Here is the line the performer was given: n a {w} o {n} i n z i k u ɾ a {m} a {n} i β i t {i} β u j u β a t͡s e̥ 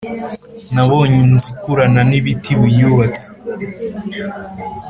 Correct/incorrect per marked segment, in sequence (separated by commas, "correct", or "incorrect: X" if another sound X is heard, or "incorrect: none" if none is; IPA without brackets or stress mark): incorrect: β, incorrect: ɲ, incorrect: n, correct, correct